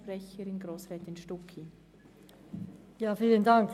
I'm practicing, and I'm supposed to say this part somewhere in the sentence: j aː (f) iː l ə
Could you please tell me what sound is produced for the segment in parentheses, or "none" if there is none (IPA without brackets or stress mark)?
f